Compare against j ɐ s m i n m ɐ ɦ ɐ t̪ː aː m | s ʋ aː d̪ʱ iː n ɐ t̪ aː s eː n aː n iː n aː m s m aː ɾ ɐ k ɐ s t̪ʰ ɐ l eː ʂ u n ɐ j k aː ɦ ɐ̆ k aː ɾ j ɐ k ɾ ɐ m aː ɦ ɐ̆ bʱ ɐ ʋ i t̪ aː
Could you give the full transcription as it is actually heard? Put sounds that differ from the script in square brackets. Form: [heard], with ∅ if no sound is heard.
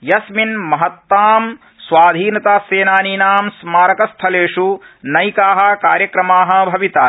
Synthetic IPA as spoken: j ɐ s m i n m ɐ ɦ ɐ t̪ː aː m | s ʋ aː d̪ʱ iː n ɐ t̪ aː s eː n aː n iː n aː m s m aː ɾ ɐ k ɐ s t̪ʰ ɐ l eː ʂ u n ɐ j k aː ɦ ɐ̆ k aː ɾ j ɐ k ɾ ɐ m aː ɦ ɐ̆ bʱ ɐ ʋ i t̪ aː